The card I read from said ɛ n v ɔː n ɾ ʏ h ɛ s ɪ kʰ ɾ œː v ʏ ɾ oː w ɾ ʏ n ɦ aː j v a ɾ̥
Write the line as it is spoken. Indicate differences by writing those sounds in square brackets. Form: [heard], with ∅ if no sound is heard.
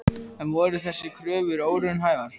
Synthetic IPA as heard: ɛ n v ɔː [∅] ɾ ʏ [θ] ɛ [sː] ɪ kʰ ɾ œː v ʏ ɾ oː w ɾ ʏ n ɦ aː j v a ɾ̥